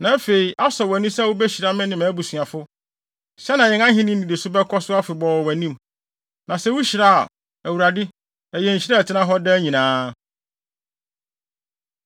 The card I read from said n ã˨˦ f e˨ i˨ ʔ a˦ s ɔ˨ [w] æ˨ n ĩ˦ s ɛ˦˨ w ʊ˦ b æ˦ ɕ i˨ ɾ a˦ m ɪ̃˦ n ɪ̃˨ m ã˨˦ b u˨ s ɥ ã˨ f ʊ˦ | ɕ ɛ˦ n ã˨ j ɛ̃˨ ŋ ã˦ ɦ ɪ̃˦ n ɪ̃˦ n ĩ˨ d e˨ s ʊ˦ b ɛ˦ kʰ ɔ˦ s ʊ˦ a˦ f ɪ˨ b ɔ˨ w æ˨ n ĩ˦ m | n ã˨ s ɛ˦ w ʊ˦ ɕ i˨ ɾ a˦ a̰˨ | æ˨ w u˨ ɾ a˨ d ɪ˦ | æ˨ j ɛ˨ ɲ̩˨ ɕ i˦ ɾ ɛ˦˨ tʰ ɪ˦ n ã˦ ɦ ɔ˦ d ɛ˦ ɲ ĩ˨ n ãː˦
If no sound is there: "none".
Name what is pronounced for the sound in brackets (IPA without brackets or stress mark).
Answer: w